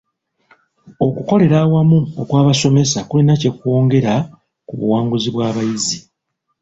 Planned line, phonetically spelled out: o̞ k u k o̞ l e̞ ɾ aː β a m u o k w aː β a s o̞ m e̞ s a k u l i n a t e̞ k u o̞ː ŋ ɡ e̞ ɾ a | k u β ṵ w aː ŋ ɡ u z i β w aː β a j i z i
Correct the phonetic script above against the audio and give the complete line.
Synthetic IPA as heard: o̞ k u k o̞ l e̞ ɾ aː w a m u o k w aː β a s o̞ m e̞ s a k u l i n a c e̞ k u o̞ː ŋ ɡ e̞ ɾ a | k u β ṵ w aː ŋ ɡ u z i β w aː β a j i z i